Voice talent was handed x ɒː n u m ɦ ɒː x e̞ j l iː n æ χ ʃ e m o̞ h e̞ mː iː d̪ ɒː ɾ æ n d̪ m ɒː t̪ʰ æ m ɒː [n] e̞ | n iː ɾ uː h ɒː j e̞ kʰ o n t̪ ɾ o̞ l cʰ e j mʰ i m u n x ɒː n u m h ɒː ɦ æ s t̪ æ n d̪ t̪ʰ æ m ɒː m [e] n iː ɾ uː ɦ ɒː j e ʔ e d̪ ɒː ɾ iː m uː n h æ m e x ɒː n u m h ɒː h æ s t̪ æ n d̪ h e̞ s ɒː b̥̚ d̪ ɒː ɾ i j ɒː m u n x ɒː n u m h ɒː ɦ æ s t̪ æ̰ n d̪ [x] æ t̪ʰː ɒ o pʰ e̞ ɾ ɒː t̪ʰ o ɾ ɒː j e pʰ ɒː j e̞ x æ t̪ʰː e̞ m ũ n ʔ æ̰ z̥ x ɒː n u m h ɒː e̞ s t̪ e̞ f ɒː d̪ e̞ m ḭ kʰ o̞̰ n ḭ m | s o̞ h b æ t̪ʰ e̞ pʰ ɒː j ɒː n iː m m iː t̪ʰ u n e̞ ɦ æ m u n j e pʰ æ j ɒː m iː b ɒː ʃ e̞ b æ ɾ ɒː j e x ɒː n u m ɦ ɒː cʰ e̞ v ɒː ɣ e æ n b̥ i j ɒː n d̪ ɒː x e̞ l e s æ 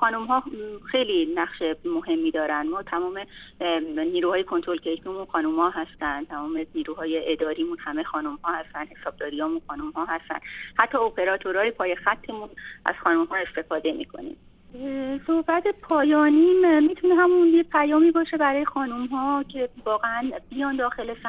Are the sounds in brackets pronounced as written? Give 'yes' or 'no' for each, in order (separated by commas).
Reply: no, yes, no